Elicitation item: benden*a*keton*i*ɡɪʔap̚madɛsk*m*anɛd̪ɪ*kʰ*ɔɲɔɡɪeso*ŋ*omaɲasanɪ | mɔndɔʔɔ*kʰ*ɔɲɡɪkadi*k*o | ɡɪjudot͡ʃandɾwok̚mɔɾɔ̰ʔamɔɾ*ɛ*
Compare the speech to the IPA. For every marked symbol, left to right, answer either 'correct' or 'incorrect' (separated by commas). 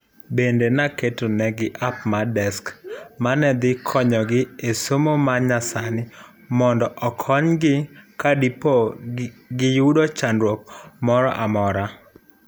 correct, incorrect, correct, correct, incorrect, correct, incorrect, incorrect